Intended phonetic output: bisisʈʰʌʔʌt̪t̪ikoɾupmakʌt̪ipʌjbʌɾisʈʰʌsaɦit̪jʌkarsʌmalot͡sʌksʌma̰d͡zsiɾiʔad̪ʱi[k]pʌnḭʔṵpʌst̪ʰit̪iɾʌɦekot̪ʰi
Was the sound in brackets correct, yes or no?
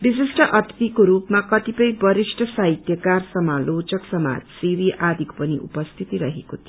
yes